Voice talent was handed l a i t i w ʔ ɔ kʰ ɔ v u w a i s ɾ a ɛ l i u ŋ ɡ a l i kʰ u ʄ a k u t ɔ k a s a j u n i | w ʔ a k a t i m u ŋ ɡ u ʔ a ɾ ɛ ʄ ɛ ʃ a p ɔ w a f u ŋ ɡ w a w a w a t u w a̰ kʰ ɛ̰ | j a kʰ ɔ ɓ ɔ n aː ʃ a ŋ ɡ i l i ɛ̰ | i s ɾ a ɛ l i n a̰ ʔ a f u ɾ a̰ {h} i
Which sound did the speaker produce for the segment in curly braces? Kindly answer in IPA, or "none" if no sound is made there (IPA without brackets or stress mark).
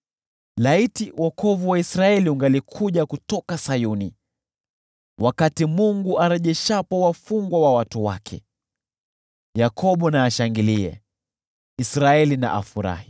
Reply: h